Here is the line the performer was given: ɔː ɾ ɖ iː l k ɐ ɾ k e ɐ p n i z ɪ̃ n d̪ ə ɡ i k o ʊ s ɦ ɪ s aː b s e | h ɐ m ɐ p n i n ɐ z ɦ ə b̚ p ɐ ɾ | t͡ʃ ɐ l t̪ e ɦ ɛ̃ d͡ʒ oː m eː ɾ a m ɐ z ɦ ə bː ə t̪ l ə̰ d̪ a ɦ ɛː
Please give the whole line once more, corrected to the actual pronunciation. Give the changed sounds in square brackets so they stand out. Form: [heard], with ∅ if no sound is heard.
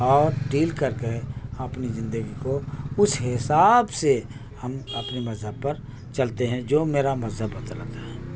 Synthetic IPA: ɔː ɾ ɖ iː l k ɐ ɾ k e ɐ p n i z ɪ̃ n d̪ ə ɡ i k o ʊ s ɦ ɪ s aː b s e | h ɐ m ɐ p n i [m] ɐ z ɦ ə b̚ p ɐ ɾ | t͡ʃ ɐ l t̪ e ɦ ɛ̃ d͡ʒ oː m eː ɾ a m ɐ z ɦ ə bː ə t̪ l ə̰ [t̪] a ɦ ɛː